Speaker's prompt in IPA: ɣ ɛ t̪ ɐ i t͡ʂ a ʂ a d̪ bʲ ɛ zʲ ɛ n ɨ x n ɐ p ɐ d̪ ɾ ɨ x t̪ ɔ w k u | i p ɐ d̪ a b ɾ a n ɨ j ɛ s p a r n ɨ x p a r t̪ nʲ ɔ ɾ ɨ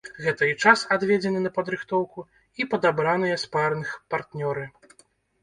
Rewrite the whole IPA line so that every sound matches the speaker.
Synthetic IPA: ɣ ɛ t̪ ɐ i t͡ʂ a s a d̪ vʲ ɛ d͡zʲ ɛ n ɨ n ɐ p ɐ d̪ ɾ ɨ x t̪ ɔ w k u | i p ɐ d̪ a b ɾ a n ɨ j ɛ s p a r n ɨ x p a r t̪ nʲ ɔ ɾ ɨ